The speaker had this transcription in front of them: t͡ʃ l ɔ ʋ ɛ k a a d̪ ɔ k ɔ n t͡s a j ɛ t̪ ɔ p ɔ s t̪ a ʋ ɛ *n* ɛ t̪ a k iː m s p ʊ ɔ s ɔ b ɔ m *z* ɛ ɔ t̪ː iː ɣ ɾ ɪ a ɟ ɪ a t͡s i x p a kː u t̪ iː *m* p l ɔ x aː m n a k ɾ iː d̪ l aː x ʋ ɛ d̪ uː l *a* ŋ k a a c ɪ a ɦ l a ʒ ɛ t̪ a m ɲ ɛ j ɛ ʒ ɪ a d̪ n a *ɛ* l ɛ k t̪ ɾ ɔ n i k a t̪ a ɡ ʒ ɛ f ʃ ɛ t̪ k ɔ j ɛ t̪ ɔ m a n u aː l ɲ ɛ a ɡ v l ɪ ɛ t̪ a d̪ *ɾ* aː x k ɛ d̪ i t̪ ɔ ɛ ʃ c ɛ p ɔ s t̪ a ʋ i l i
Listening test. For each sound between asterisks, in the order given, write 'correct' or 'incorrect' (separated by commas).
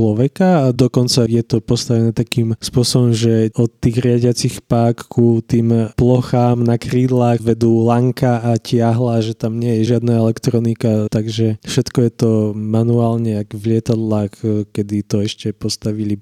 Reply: correct, incorrect, correct, correct, correct, incorrect